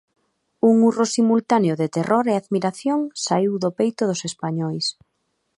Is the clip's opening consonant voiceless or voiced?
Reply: voiced